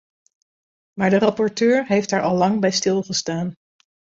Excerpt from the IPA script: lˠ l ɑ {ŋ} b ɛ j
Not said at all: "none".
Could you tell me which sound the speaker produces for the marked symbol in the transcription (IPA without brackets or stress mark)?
ŋ